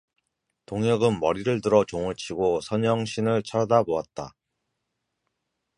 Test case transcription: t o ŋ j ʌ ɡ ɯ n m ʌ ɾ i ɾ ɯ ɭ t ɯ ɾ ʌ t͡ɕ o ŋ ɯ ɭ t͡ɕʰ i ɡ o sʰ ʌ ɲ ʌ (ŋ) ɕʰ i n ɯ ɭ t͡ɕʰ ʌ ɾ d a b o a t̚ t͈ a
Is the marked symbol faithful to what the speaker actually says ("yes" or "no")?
yes